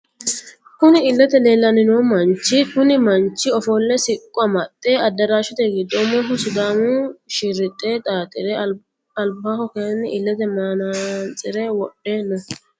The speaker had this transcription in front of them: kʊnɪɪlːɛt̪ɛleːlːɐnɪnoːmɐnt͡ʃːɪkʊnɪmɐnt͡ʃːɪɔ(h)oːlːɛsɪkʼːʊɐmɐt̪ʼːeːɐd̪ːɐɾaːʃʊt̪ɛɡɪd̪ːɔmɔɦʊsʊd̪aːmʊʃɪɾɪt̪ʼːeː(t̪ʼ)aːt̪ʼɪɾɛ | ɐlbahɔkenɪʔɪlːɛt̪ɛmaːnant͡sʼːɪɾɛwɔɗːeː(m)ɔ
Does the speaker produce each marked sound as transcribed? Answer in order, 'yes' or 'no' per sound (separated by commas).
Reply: no, yes, no